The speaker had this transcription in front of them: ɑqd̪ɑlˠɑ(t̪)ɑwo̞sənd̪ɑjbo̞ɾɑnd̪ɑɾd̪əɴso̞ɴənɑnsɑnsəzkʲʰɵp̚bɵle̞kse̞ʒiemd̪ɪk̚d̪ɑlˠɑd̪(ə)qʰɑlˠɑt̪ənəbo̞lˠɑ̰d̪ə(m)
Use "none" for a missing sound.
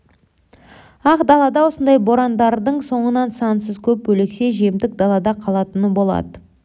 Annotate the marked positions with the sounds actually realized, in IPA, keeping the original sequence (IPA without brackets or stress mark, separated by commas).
d̪, ɑ, none